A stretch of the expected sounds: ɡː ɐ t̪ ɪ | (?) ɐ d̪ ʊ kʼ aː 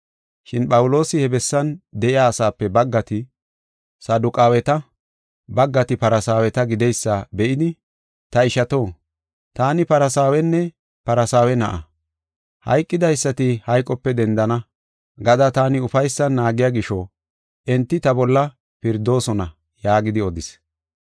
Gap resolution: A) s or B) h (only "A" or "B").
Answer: A